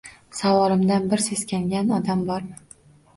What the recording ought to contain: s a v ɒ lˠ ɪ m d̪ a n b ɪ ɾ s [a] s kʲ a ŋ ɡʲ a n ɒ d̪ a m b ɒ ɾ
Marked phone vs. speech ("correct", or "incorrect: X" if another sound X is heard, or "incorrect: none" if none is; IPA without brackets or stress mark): incorrect: e